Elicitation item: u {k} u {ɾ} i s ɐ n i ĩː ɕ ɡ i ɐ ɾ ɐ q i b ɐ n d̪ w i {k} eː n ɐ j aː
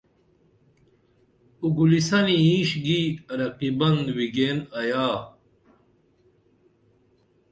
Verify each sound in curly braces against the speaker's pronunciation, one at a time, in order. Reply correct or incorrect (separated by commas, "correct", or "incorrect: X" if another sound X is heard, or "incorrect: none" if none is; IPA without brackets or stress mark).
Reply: incorrect: ɡ, incorrect: l, incorrect: ɡ